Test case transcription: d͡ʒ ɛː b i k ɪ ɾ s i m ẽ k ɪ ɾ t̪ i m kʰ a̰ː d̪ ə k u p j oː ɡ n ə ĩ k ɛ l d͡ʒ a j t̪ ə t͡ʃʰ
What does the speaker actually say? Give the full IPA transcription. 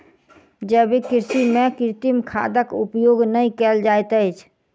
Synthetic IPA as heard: d͡ʒ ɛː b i k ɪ ɾ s i m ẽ k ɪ ɾ t̪ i m kʰ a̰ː d̪ ə k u p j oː ɡ n ə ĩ k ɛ l d͡ʒ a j t̪ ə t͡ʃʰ